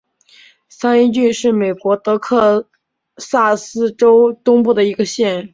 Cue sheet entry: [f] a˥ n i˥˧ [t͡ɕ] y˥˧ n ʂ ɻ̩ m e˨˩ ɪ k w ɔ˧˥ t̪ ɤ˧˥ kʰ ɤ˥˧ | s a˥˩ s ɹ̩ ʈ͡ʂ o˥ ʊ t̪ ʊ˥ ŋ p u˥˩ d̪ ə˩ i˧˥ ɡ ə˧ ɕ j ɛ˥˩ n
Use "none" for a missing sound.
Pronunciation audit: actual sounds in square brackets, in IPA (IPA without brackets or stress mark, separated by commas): s, t͡ɕ